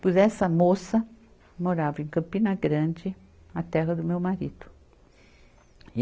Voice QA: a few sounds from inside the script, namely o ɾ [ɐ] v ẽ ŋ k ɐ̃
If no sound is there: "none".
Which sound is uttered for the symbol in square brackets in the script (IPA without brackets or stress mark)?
a